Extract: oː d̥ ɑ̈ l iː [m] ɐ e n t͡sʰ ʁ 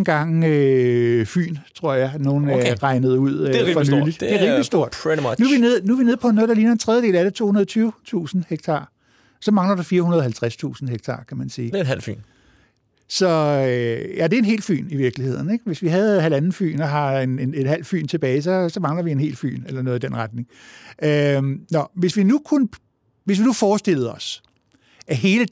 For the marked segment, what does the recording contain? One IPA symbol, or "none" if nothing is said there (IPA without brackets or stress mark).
n